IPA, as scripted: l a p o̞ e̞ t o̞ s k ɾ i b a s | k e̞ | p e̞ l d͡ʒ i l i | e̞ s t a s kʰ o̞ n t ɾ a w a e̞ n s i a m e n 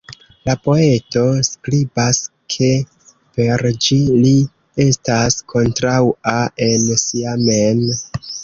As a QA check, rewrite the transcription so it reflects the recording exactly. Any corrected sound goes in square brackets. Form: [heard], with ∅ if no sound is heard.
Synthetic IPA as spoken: l a p o̞ e̞ t o̞ s k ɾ i b a s | [kʰ] e̞ | p e̞ [ɾ] d͡ʒ i l i | e̞ s t a s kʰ o̞ n t ɾ a w a e̞ n s i a m e n

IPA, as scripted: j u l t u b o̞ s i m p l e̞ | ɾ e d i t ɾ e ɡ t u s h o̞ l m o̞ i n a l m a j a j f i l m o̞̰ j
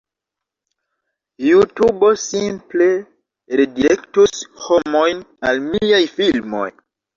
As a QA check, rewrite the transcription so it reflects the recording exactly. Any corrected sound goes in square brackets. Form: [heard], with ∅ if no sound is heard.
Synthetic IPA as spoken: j u [∅] t u b o̞ s i m p l e̞ | ɾ e d i [∅] ɾ e [k] t u s h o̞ [∅] m o̞ [j] n a l m [i] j a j f i l m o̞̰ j

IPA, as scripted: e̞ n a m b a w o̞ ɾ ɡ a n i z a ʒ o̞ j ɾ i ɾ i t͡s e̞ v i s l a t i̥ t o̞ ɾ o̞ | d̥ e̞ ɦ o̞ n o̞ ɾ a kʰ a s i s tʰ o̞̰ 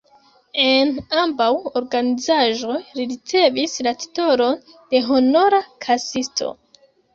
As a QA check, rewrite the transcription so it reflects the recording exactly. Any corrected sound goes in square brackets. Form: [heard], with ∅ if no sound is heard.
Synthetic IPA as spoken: e̞ n a m b a w o̞ ɾ ɡ a n i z a ʒ o̞ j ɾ i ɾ i t͡s e̞ v i s l a t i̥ t o̞ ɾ o̞ | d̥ e̞ ɦ o̞ n o̞ ɾ a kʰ a s i s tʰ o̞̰

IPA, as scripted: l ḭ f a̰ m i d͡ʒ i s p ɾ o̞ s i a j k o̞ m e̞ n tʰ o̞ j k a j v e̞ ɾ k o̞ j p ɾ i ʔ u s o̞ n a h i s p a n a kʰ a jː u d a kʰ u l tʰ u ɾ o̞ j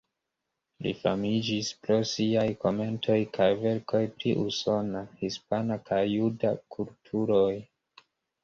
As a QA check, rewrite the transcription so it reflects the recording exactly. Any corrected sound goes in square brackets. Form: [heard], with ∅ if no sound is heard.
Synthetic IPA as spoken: l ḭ f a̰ m i d͡ʒ i s p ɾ o̞ s i a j k o̞ m e̞ n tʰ o̞ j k a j v e̞ ɾ k o̞ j p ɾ i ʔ u s o̞ n a h i s p a n a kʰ a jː u d a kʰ u l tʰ u ɾ o̞ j

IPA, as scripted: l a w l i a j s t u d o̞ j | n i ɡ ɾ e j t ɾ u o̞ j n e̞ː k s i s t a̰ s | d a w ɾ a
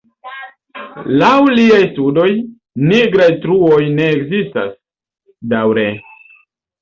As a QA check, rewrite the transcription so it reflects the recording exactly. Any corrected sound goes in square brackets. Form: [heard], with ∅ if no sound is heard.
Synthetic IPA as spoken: l a w l i a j s t u d o̞ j | n i ɡ ɾ [a] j t ɾ u o̞ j n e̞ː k [z] i s t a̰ s | d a w ɾ [e]

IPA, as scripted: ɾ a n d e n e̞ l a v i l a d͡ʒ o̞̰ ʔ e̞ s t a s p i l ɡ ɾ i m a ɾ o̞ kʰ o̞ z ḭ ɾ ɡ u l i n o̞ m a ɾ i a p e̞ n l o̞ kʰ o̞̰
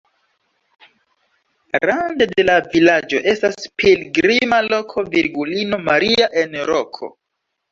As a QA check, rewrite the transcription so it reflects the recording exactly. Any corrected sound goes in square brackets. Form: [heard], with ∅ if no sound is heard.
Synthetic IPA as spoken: ɾ a n d e [d] e̞ l a v i l a d͡ʒ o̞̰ ʔ e̞ s t a s p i l ɡ ɾ i m a [l] o̞ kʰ o̞ [v] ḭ ɾ ɡ u l i n o̞ m a ɾ i a [ʔ] e̞ n [ɾ] o̞ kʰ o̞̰

